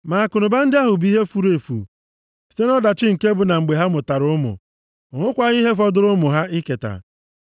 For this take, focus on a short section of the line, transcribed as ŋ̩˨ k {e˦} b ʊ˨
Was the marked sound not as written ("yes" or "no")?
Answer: no